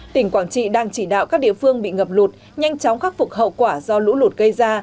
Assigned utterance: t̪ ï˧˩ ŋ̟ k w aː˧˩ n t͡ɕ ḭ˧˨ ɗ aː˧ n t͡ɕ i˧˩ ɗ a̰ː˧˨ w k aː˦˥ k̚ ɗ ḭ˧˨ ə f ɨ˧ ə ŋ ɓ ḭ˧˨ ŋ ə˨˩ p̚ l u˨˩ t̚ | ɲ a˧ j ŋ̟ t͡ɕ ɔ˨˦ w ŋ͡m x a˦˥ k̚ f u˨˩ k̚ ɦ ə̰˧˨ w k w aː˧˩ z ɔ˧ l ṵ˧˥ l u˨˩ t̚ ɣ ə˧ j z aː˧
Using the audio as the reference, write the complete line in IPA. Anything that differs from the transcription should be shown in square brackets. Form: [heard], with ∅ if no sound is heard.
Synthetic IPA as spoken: t̪ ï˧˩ ŋ̟ k w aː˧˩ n t͡ɕ ḭ˧˨ ɗ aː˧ [ŋ] t͡ɕ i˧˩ ɗ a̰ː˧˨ w k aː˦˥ k̚ ɗ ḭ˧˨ ə f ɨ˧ ə ŋ ɓ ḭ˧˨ ŋ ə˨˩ p̚ l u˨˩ t̚ | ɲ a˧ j ŋ̟ t͡ɕ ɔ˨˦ w ŋ͡m x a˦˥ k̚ f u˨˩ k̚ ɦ ə̰˧˨ w k w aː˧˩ z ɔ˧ l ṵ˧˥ l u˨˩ t̚ ɣ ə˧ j z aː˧